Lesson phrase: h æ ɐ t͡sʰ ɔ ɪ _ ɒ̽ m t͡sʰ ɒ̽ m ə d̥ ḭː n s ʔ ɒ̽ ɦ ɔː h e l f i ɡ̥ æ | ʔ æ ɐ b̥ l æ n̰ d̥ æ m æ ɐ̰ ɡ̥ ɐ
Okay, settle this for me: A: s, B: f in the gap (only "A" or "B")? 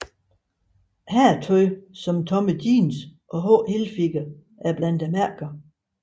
A